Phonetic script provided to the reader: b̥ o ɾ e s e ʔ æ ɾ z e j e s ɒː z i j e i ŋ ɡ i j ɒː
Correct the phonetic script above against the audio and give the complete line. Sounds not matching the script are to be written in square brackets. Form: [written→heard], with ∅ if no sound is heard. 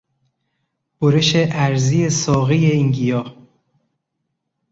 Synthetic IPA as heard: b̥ o ɾ e [s→ʃ] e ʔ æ ɾ z [e→i] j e s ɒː [z→ɣ] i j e i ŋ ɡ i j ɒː